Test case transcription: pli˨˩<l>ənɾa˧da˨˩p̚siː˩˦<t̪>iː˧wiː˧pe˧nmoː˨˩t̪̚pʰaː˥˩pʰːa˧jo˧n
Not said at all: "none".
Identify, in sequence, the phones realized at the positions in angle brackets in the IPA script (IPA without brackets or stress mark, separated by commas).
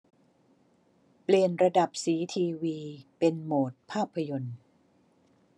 none, t̪ʰ